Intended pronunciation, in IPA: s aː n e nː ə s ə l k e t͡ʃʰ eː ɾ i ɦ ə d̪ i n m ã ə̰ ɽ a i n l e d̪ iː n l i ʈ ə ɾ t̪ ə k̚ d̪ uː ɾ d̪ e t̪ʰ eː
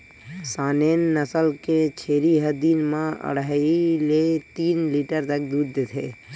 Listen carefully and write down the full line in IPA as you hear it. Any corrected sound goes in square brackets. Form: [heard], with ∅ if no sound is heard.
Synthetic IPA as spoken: s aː n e nː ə s ə l k e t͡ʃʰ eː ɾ i ɦ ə d̪ i n m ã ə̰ ɽ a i [∅] l e [t̪] iː n l i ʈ ə ɾ t̪ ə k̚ d̪ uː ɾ d̪ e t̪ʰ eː